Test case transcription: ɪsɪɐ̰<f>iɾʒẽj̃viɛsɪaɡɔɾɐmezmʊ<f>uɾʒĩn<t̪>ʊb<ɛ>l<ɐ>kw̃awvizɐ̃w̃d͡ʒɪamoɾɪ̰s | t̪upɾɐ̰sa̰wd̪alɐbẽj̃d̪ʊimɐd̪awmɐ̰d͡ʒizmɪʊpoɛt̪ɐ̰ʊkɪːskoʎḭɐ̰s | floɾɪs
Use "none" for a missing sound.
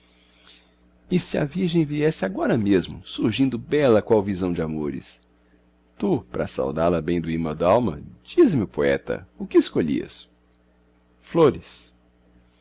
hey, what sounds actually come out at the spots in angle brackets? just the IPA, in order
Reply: v, s, d̪, ɛ, ɐ

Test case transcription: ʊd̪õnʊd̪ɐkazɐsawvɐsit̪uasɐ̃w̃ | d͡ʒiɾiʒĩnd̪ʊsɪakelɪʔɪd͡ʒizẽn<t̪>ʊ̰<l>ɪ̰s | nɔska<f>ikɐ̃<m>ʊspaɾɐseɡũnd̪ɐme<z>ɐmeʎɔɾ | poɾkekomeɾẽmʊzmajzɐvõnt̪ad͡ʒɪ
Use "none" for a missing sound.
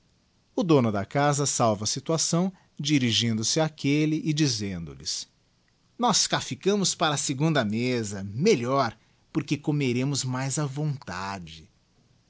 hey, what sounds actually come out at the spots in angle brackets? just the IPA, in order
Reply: d̪, l, f, m, z

